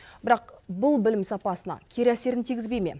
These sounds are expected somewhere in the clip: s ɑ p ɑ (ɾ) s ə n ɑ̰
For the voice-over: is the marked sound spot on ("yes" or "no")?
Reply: no